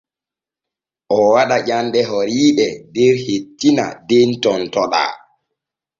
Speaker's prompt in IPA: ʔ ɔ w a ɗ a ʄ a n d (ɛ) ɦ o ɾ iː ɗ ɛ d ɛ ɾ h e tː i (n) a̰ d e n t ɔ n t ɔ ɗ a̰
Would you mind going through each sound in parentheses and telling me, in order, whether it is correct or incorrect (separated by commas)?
correct, correct